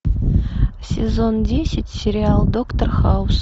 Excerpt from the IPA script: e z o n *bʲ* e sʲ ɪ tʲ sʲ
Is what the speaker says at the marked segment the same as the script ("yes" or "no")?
no